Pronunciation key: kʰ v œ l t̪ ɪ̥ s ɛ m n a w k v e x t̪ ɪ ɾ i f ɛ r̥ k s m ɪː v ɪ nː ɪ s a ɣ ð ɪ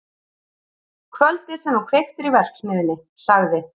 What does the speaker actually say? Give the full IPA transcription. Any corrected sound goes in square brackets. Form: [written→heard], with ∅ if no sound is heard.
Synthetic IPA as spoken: kʰ v œ l t̪ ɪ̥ s ɛ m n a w [k→kʰ] v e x t̪ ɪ ɾ i [f→v] ɛ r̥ k s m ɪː [v→ð] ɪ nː ɪ s a ɣ ð ɪ